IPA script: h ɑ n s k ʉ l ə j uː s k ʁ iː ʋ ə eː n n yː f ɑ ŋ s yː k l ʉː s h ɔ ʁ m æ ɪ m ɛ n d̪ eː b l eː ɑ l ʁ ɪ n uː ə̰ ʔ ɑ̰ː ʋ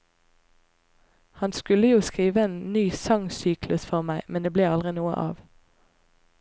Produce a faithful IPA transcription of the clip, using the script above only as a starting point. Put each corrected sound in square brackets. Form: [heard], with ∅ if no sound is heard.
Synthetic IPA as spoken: h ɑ n s k ʉ l ə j uː s k ʁ iː ʋ ə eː n n yː [s] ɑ ŋ s yː k l [ʉ] s [f] ɔ ʁ m æ ɪ m ɛ n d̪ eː b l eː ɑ l ʁ ɪ n uː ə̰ ʔ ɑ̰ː ʋ